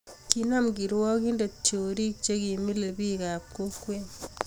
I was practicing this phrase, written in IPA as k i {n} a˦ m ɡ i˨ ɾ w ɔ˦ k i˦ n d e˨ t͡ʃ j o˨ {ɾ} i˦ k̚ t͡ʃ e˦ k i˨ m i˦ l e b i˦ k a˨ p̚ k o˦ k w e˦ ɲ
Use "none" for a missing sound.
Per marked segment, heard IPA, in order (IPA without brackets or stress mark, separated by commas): n, ɾ